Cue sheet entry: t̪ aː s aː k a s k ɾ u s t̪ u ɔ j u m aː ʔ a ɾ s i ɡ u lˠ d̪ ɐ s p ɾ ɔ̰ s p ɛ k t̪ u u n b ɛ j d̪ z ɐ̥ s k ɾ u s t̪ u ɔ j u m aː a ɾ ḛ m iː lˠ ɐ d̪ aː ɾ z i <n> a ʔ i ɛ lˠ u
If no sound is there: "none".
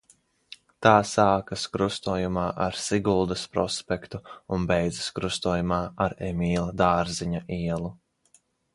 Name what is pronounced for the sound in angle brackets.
ɲ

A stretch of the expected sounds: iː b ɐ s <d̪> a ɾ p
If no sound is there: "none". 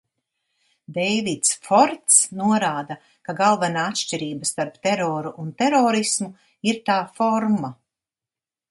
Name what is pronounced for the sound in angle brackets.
t̪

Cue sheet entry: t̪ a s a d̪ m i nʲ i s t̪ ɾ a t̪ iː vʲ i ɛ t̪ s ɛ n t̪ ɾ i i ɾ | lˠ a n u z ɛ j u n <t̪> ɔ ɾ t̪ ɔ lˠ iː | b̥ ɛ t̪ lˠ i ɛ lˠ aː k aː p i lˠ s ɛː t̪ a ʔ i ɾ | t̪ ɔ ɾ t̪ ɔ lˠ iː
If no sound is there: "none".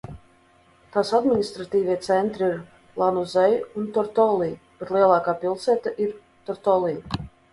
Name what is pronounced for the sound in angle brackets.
t̪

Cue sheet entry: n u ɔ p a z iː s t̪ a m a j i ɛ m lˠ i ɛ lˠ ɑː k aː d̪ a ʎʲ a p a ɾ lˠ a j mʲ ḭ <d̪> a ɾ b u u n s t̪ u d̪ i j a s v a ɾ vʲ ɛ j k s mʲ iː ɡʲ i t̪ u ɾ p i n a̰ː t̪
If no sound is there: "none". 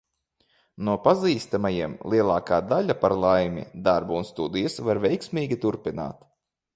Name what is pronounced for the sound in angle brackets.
d̪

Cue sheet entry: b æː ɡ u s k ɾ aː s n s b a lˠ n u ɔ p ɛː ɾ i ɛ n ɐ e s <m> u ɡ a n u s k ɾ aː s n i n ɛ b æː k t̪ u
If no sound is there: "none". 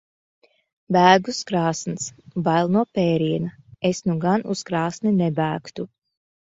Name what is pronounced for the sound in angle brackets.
n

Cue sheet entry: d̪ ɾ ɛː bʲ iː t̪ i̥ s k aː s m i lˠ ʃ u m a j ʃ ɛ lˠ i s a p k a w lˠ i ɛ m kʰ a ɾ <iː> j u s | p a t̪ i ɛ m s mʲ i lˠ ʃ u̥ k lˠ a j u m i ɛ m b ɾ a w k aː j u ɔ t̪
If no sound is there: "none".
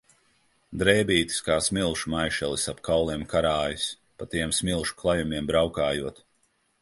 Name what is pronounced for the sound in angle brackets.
aː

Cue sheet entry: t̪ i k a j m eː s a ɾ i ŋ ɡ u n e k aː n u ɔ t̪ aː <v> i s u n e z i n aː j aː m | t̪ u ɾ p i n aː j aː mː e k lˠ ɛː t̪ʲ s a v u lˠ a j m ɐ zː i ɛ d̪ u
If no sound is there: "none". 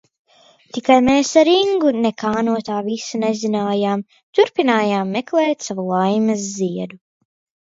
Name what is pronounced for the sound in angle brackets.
v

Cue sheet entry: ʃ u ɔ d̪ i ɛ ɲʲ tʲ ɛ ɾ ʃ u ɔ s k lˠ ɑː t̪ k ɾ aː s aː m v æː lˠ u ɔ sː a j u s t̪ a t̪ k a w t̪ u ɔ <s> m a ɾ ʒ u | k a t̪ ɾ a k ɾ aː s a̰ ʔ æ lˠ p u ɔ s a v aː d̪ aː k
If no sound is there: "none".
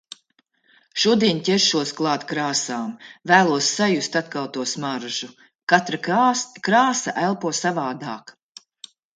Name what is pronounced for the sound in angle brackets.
s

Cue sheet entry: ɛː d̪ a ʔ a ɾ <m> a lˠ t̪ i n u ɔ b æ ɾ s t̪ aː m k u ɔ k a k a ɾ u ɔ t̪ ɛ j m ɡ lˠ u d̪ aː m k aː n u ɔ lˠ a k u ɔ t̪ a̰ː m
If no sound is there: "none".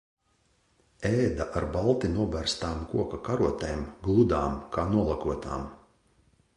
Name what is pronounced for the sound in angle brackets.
b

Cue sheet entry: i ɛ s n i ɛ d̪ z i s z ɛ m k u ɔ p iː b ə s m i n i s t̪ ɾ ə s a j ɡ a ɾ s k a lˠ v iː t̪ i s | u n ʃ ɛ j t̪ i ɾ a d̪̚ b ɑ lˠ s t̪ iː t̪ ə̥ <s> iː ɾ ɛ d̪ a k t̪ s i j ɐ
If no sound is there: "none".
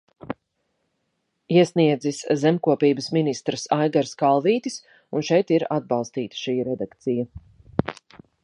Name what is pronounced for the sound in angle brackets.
ʃ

